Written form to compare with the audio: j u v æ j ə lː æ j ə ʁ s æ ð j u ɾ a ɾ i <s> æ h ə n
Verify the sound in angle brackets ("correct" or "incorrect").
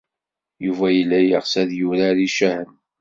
incorrect